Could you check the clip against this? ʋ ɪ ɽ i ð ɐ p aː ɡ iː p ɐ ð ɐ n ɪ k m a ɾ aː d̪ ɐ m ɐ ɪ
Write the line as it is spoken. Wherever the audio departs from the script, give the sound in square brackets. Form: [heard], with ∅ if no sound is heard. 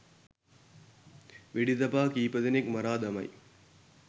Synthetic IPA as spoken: ʋ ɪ ɽ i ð ɐ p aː [k] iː p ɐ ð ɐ n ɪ k m [ɐ] ɾ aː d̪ ɐ m ɐ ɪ

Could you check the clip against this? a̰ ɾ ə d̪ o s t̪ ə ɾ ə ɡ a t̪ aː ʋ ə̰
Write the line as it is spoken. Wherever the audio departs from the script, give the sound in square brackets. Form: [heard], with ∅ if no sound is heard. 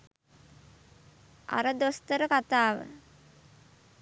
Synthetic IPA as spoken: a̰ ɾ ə d̪ o s t̪ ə ɾ ə [k] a t̪ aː ʋ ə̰

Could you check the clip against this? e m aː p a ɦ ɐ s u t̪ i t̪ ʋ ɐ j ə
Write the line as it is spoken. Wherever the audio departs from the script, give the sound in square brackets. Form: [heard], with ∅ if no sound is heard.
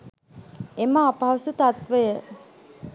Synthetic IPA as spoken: e m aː p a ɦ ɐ s u t̪ [a] t̪ ʋ [ə] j ə

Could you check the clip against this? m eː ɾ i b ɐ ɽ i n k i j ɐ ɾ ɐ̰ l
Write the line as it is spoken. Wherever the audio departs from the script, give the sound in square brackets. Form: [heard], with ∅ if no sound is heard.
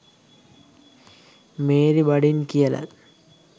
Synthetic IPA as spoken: m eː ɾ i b ɐ ɽ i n k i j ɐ [l] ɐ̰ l

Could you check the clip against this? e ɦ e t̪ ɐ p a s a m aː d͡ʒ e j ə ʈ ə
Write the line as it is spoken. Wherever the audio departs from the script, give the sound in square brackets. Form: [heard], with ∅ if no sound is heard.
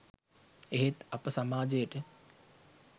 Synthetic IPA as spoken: e ɦ e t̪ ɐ p [ə] s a m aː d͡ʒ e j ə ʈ ə

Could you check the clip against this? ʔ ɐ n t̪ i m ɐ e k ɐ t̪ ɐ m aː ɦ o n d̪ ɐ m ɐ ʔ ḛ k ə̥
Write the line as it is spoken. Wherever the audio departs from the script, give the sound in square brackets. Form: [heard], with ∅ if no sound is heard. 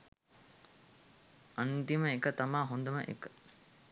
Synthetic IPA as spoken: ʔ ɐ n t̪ i m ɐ e k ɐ t̪ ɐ m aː ɦ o n d̪ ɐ m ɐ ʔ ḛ k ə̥

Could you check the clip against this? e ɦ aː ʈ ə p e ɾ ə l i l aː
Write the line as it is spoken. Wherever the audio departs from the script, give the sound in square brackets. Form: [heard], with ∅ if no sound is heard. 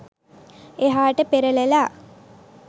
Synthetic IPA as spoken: e ɦ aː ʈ ə p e ɾ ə l [e] l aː

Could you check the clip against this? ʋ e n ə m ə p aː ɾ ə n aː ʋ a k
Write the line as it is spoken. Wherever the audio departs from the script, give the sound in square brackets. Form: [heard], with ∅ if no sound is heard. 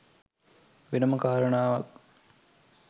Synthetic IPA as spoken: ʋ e n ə m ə [k] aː ɾ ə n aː ʋ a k

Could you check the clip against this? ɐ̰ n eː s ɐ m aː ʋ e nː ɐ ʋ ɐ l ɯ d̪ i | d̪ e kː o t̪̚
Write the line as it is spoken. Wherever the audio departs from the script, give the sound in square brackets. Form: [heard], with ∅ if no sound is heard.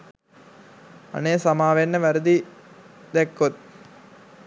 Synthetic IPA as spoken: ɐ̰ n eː s ɐ m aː ʋ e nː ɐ ʋ ɐ [ɾ] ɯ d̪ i | d̪ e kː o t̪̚

